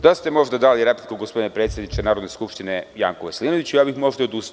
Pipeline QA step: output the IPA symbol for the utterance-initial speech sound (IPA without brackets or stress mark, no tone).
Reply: d̪